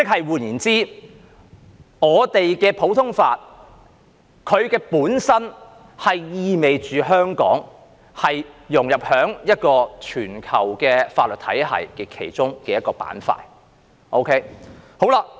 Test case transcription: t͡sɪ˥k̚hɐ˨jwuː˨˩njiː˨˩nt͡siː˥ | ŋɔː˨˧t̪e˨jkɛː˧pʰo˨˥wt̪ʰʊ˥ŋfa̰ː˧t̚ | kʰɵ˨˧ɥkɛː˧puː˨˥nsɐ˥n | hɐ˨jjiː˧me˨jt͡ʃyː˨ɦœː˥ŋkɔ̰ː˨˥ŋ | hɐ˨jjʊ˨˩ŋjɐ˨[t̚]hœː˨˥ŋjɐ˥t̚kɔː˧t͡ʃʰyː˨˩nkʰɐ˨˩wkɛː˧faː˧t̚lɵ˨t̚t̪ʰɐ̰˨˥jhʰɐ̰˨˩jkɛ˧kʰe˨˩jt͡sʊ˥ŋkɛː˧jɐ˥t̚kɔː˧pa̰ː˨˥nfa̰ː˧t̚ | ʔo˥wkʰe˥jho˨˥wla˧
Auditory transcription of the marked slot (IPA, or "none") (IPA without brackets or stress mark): p̚